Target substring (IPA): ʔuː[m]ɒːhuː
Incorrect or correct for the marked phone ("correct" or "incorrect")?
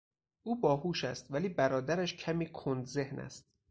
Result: incorrect